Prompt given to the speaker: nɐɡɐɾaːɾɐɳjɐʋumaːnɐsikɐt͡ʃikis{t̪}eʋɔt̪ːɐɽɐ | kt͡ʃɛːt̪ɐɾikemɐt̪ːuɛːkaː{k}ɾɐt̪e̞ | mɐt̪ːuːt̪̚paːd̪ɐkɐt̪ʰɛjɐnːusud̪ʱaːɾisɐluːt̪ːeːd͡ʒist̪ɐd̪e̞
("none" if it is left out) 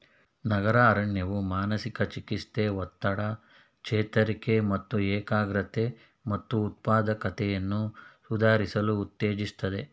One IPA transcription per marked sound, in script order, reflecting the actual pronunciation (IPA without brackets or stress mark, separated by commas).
t̪, ɡ